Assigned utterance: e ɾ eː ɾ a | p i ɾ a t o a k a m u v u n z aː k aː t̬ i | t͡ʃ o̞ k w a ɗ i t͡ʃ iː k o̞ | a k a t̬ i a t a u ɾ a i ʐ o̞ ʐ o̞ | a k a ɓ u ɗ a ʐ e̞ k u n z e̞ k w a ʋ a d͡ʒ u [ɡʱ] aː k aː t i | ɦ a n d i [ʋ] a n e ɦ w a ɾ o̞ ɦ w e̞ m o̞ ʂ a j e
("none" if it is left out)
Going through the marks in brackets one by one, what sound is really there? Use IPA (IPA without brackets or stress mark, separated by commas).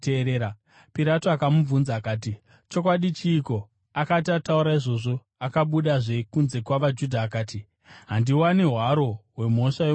dʱ, w